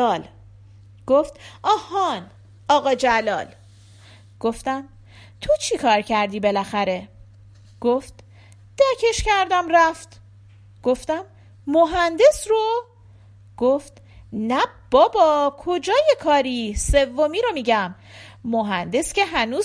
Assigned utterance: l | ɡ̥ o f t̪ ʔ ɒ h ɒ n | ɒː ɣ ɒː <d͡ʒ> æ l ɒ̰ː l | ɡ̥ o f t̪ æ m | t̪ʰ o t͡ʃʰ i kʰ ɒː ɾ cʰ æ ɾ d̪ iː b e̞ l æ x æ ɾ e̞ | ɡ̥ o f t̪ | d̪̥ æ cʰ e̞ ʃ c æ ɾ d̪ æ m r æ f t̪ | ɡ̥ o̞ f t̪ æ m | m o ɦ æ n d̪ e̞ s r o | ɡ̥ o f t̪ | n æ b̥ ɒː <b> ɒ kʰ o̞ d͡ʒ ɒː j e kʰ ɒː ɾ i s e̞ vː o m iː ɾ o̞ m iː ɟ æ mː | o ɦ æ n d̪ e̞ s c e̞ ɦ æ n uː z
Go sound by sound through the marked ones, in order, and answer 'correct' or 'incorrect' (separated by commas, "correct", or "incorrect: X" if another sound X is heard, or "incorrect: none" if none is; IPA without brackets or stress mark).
correct, correct